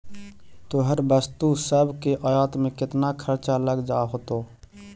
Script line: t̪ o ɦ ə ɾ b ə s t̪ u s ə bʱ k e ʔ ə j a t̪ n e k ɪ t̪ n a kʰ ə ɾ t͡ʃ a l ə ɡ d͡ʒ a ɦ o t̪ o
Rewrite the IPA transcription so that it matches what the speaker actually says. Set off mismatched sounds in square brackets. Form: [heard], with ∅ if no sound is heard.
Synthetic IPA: t̪ o ɦ ə ɾ b ə s t̪ u s ə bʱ k e ʔ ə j a t̪ [m] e k ɪ t̪ n a kʰ ə ɾ t͡ʃ a l ə ɡ d͡ʒ a ɦ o t̪ o

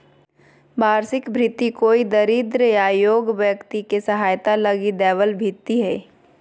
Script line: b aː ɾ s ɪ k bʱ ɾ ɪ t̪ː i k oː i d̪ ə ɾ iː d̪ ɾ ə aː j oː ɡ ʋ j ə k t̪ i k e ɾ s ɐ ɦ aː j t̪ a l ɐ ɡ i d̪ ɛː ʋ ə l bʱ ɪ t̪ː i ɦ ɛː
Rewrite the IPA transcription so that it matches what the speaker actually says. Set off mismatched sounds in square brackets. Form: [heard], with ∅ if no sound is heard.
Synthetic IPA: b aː ɾ s ɪ k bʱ ɾ ɪ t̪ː i k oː i d̪ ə ɾ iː d̪ ɾ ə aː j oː ɡ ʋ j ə k t̪ i k e [∅] s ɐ ɦ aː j t̪ a l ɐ ɡ i d̪ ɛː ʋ ə l bʱ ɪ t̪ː i ɦ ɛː

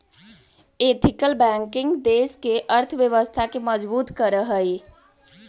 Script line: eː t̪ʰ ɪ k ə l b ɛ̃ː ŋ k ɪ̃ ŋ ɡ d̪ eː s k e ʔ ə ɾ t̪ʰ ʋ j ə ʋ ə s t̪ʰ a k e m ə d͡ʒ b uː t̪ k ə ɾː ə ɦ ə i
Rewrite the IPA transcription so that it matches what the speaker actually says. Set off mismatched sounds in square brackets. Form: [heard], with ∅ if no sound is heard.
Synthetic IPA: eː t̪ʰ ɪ k ə l b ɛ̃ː ŋ k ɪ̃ ŋ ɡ d̪ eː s k e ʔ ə ɾ t̪ʰ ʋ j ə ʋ ə s t̪ʰ a k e m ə d͡ʒ b uː t̪ k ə [ɾ] ə ɦ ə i

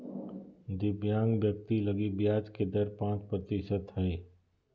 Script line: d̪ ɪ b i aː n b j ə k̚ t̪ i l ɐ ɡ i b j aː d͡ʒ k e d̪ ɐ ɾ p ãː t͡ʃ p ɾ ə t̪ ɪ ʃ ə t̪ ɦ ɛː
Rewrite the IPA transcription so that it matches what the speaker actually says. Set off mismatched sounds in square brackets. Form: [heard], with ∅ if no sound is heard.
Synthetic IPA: d̪ ɪ b [j] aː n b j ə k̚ t̪ i l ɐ ɡ i b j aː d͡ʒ k e d̪ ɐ ɾ p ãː t͡ʃ p ɾ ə t̪ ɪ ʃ ə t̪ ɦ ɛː

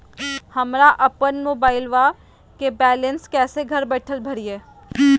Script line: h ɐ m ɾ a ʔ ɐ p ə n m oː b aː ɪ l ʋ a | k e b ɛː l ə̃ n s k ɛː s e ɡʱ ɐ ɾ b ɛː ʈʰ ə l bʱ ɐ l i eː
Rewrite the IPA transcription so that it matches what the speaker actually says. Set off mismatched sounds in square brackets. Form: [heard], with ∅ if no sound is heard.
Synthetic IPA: h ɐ m ɾ a ʔ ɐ p ə n m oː b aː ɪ l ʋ a | k e b ɛː l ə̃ n s k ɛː s e ɡʱ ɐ ɾ b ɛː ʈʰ ə l bʱ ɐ [ɾ] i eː

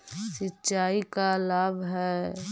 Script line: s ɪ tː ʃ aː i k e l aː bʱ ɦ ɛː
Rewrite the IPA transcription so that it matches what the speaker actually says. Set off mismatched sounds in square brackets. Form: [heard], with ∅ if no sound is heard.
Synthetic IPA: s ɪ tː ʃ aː i k [a] l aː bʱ ɦ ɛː

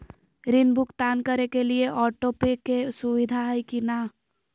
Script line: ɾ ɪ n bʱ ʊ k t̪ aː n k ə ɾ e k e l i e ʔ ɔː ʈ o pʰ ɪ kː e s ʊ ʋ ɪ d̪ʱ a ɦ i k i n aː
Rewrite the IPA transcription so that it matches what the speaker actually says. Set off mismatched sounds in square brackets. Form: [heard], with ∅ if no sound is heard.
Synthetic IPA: ɾ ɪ n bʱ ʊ k t̪ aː n k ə ɾ e k e l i e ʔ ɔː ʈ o [p] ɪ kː e s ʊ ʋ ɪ d̪ʱ a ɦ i k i n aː

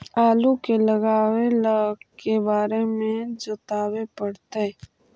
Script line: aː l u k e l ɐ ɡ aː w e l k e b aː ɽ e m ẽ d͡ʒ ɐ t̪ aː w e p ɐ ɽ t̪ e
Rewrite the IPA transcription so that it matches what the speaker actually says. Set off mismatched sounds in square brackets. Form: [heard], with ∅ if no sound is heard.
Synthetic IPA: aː l u k e l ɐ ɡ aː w e l k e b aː [ɾ] e m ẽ d͡ʒ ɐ t̪ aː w e p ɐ ɽ t̪ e

